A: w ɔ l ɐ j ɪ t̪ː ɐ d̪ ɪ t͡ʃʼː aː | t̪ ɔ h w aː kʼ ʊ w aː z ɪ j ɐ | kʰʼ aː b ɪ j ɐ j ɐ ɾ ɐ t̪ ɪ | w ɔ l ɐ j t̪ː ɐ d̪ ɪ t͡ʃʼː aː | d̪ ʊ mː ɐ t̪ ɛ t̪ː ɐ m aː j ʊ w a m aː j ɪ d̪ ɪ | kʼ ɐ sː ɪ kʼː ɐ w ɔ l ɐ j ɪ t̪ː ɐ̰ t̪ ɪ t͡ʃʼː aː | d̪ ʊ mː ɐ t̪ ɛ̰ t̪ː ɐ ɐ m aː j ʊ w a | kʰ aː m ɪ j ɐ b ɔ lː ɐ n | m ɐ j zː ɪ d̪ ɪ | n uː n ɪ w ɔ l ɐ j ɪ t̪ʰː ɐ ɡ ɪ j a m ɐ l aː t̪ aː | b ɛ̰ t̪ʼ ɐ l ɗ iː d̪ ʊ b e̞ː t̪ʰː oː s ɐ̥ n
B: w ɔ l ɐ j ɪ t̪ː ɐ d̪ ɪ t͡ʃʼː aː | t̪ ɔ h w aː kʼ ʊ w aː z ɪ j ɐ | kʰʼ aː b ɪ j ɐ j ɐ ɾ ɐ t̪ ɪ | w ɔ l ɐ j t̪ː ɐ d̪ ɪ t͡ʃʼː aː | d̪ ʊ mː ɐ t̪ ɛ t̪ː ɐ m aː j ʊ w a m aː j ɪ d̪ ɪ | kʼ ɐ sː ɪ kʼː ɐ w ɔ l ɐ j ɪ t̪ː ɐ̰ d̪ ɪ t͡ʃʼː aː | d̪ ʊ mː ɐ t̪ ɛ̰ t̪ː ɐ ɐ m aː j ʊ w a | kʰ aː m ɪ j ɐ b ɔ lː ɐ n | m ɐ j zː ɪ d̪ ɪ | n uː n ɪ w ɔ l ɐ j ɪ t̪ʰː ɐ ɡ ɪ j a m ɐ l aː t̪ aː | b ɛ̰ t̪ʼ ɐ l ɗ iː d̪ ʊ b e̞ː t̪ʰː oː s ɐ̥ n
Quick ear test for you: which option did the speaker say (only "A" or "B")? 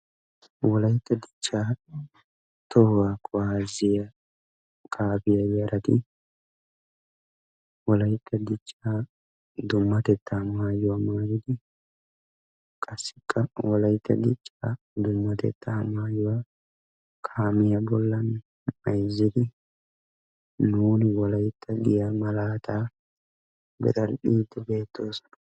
B